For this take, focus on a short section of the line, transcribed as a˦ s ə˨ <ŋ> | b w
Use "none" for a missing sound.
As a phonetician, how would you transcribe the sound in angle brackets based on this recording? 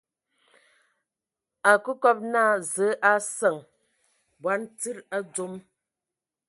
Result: ŋ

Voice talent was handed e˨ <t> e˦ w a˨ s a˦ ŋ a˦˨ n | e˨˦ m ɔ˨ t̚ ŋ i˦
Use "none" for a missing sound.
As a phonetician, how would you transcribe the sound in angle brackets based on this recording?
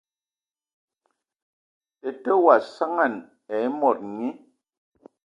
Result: t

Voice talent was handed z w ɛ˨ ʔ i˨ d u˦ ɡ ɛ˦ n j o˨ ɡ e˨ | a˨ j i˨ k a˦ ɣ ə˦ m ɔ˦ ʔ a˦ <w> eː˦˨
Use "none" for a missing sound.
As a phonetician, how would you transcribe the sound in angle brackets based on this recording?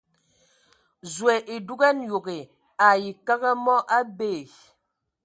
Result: b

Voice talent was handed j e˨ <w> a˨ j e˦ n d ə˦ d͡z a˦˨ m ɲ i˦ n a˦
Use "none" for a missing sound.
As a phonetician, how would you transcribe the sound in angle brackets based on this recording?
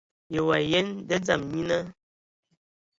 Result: w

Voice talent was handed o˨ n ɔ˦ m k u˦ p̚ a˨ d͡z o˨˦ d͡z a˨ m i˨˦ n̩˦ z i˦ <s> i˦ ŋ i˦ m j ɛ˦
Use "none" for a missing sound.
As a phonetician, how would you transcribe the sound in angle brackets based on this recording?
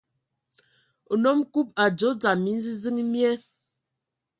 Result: z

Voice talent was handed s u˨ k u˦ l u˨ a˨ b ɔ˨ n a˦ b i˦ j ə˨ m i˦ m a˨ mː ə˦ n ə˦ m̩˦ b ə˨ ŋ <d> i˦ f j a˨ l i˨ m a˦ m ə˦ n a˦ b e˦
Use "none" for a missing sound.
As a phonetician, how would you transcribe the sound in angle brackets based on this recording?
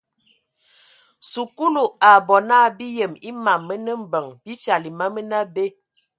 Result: b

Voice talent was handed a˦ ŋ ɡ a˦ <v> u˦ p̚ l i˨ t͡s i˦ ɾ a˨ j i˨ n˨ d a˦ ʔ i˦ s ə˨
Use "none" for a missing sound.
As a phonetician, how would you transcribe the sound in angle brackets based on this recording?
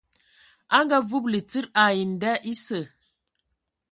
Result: v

